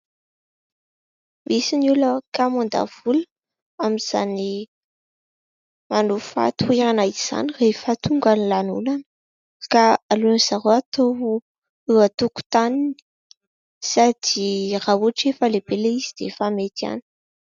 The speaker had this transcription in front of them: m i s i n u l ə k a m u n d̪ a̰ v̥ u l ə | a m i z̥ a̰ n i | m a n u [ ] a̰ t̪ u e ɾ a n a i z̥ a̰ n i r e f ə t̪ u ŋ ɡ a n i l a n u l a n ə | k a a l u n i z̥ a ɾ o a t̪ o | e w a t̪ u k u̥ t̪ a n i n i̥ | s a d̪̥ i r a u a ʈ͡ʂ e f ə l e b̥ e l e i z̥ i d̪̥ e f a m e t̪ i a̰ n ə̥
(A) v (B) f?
B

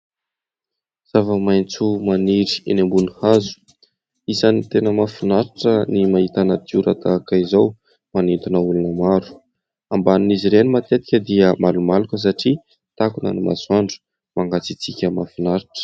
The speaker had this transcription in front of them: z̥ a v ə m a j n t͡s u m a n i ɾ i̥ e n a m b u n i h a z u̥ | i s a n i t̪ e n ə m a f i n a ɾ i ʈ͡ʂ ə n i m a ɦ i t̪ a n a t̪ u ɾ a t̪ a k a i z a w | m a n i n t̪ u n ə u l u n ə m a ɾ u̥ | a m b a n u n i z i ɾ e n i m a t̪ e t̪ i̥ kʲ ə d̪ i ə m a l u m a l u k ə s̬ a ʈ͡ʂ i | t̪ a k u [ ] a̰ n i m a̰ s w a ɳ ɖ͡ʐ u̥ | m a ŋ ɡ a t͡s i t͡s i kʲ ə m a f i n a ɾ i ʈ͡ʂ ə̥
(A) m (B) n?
B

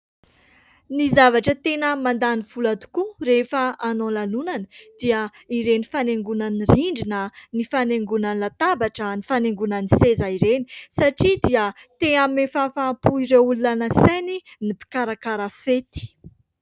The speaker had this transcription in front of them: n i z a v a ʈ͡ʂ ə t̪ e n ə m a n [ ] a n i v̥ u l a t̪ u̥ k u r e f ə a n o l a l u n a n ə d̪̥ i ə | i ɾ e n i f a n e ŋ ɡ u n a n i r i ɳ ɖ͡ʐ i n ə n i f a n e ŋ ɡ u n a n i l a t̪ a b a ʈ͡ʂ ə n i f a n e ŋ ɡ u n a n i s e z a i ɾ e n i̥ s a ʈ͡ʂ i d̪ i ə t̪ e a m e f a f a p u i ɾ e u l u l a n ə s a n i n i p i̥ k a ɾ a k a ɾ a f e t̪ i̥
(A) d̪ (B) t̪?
A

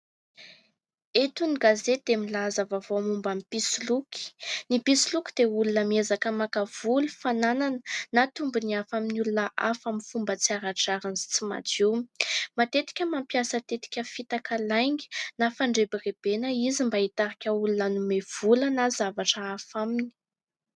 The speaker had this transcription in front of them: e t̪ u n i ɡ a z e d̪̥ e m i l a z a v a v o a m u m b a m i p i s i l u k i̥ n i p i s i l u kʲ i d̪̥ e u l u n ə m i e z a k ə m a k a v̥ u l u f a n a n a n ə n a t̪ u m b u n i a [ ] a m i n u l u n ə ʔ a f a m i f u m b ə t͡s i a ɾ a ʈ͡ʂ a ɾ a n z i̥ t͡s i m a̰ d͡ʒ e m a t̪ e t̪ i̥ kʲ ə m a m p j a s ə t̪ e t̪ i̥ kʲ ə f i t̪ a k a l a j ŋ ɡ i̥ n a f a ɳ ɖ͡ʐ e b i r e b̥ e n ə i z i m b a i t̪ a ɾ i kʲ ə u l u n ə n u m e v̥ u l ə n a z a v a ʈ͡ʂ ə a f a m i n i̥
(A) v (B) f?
B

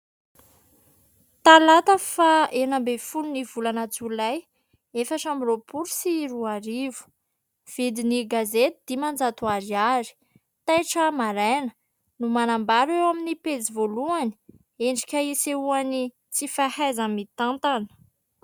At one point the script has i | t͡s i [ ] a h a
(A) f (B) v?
A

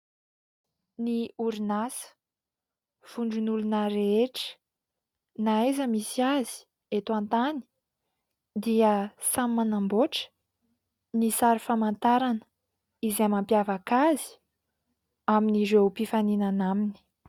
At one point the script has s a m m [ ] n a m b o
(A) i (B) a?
B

